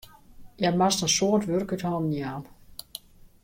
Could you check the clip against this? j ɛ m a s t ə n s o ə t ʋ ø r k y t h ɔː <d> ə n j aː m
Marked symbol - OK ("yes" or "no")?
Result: no